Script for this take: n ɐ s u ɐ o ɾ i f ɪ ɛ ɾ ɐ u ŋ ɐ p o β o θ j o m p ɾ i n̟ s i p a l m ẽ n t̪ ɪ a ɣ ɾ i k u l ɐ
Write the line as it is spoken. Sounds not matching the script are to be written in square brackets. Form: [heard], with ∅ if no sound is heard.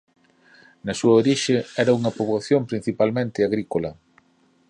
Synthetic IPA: n ɐ s u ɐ o ɾ i [ʃ] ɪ ɛ ɾ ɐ u ŋ ɐ p o β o θ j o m p ɾ i n̟ [θ] i p a l m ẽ n t̪ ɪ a ɣ ɾ i k [o] l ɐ